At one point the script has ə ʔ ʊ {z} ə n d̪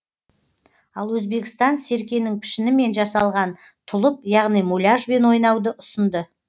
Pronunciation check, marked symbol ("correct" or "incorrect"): incorrect